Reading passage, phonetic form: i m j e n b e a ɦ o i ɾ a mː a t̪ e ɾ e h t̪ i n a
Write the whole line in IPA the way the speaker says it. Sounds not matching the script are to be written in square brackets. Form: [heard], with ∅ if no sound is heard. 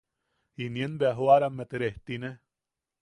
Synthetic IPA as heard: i [n] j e n b e a ɦ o [a] ɾ a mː [e] t̪ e ɾ e h t̪ i n [e]